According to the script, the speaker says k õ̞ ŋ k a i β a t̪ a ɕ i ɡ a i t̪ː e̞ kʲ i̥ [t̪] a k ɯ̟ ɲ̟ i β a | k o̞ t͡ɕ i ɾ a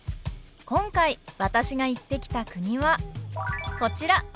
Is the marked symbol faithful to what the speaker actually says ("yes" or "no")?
yes